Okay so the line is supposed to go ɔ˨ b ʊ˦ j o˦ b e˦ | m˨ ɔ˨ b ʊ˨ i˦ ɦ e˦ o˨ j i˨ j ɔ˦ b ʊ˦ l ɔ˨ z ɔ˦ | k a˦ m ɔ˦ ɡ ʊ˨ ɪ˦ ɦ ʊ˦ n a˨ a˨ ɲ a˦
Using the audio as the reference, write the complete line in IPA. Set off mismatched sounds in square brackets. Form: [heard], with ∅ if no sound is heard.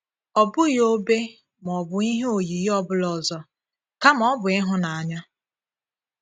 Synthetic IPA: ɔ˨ b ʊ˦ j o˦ b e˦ | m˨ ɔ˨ b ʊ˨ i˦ ɦ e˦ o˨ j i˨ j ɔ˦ b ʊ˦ l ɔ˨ z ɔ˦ | k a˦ m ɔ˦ [b] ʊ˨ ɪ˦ ɦ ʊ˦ n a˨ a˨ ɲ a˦